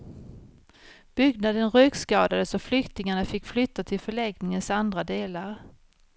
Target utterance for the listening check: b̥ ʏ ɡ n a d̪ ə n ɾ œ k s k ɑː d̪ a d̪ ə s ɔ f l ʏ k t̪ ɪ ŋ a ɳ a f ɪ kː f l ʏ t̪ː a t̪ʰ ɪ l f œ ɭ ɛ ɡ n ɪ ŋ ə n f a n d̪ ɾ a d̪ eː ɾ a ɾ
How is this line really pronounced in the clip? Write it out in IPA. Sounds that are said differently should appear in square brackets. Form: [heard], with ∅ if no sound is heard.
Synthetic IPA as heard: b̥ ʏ ɡ n a d̪ ə n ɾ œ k s k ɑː d̪ a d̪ ə s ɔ f l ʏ k t̪ ɪ ŋ a ɳ a f ɪ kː f l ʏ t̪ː a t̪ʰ ɪ l f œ ɭ ɛ ɡ n ɪ ŋ ə n [s] a n d̪ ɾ a d̪ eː [l] a ɾ